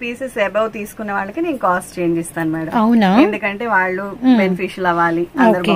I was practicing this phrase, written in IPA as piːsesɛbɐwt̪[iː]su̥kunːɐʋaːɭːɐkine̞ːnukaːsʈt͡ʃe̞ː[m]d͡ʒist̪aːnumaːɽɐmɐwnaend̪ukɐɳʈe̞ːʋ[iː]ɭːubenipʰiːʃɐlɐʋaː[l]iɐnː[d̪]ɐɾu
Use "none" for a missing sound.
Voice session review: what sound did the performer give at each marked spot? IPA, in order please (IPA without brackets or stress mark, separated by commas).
iː, ɲ, aː, l, d̪